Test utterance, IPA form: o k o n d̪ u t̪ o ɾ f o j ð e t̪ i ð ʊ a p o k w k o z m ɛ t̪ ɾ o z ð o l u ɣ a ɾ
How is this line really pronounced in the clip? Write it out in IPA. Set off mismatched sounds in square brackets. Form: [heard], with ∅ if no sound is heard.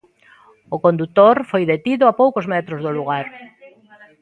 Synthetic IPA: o k o n d̪ u t̪ o ɾ f o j ð e t̪ i ð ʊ a p o [∅] w k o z m ɛ t̪ ɾ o z ð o l u ɣ a ɾ

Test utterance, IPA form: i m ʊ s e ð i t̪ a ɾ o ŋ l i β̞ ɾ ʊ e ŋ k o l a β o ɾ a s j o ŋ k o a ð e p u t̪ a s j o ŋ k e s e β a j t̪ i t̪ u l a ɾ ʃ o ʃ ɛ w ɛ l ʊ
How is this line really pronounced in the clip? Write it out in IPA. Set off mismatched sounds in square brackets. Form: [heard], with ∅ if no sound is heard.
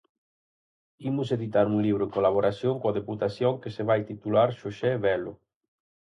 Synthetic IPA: i m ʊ s e ð i t̪ a ɾ [u] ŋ l i β̞ ɾ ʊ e ŋ k o l a β o ɾ a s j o ŋ k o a ð e p u t̪ a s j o ŋ k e s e β a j t̪ i t̪ u l a ɾ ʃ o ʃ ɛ [β] ɛ l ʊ

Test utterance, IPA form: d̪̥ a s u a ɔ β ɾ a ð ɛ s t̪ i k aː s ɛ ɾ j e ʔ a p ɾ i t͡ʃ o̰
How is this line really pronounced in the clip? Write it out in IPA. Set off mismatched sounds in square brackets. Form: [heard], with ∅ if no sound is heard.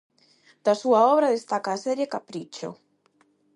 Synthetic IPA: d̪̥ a s u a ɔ β ɾ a ð [e] s t̪ [a] k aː s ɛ ɾ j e [k] a p ɾ i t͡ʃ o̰

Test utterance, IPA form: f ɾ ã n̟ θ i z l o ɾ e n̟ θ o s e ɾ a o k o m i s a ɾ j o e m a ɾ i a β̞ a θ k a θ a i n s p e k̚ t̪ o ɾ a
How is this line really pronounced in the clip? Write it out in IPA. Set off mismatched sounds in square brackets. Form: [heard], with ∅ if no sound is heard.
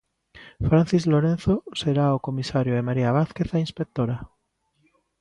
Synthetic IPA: f ɾ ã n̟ θ i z l o ɾ e n̟ θ o s e ɾ a o k o m i s a ɾ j o e m a ɾ i a β̞ a θ k [e] θ a i n s p e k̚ t̪ o ɾ a

